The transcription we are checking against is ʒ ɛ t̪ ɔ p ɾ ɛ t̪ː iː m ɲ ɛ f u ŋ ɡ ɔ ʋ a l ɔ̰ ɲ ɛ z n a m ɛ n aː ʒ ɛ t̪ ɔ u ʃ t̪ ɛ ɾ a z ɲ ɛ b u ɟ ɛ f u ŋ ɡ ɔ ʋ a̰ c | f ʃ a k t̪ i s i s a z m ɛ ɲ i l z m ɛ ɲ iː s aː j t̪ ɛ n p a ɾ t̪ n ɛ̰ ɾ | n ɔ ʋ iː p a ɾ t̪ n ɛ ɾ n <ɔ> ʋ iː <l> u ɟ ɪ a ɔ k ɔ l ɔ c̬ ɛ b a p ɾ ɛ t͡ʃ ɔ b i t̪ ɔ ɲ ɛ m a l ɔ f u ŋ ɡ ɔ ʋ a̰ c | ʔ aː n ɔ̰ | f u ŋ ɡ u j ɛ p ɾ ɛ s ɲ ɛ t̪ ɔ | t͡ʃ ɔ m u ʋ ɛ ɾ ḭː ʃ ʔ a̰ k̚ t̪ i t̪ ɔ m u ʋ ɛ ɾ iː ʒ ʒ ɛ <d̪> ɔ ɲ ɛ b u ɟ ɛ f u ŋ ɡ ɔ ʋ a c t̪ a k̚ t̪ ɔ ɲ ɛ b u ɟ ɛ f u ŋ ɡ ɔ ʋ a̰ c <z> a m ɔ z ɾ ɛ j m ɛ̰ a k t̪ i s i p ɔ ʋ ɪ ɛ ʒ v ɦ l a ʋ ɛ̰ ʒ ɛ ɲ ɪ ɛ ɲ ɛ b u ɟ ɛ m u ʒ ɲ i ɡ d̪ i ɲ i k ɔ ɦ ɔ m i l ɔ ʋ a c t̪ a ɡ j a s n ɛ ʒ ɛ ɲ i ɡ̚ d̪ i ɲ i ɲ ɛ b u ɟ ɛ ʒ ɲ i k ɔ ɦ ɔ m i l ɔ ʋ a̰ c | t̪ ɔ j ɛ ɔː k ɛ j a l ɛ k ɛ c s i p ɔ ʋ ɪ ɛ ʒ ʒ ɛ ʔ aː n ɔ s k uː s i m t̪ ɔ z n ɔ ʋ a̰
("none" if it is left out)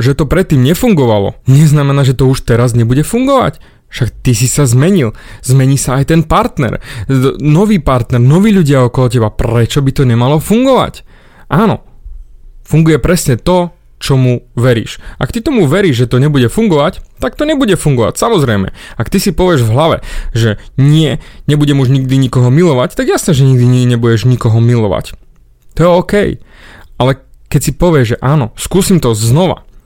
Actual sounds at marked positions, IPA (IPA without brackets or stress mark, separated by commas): ɔ, ʎ, t̪, s